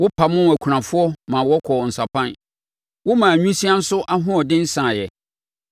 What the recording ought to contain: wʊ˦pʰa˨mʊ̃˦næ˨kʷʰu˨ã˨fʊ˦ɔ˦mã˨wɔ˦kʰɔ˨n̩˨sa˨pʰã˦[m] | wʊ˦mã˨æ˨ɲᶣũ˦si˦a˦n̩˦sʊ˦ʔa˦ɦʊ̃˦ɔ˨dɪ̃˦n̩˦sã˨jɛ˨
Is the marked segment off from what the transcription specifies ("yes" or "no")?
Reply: yes